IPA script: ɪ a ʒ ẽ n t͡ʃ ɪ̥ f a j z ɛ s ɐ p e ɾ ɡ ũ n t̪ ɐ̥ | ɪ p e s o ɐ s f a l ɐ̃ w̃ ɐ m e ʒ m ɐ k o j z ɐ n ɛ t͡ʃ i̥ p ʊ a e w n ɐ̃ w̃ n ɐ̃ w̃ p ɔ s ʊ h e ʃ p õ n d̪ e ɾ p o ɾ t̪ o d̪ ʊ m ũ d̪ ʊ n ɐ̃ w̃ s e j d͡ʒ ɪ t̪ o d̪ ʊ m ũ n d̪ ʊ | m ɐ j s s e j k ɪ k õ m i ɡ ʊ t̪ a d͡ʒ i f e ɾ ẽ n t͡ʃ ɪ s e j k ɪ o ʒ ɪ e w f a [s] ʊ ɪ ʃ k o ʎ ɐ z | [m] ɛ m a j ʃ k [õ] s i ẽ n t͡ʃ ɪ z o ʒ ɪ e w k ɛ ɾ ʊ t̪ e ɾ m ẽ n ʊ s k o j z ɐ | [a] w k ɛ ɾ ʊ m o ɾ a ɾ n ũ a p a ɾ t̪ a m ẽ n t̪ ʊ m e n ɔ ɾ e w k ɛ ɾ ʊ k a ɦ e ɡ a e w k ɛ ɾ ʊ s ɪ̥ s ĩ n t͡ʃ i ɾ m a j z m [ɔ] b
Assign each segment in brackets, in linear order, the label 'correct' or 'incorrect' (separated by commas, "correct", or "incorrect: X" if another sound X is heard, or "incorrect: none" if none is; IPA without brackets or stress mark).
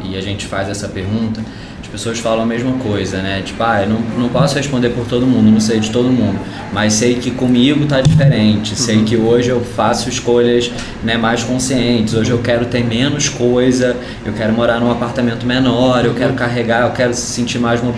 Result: correct, incorrect: n, correct, incorrect: e, incorrect: o